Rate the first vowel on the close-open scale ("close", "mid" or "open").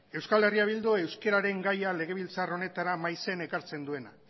mid